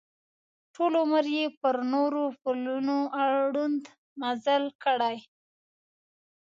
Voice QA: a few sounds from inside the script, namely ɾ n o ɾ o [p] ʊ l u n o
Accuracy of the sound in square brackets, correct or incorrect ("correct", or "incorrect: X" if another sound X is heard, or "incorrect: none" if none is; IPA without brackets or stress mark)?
correct